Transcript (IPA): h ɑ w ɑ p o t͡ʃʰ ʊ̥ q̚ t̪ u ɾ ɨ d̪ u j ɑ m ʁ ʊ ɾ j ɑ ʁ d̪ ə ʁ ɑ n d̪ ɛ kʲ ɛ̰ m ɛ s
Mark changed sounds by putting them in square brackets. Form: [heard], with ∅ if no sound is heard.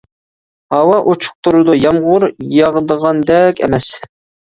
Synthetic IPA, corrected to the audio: h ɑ w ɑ [ʔ] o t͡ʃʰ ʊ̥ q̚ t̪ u ɾ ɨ d̪ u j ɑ m ʁ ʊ ɾ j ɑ ʁ d̪ ə ʁ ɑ n d̪ ɛ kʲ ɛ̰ m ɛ s